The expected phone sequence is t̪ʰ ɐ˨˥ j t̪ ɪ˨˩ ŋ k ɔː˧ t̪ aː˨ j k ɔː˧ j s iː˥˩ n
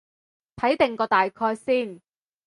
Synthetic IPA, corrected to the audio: t̪ʰ ɐ˨˥ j t̪ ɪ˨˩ ŋ k ɔː˧ t̪ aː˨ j kʰ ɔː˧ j s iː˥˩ n